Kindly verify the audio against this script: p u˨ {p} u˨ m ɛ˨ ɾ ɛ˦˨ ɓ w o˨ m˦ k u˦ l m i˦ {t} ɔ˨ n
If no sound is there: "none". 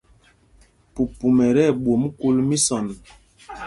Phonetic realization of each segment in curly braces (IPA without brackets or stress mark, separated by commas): p, s